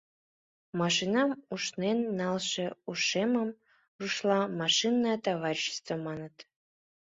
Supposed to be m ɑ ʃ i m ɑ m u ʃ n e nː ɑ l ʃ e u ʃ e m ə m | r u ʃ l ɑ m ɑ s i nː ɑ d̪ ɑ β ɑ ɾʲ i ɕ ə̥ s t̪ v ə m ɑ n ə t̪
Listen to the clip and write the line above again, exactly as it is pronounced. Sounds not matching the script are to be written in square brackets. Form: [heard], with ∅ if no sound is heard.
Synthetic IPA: m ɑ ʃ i [n] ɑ m u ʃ n e nː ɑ l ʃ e u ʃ e m ə m | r u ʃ l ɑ m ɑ [ʃ] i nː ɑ [t̪] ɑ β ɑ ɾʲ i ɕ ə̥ s t̪ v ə m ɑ n ə t̪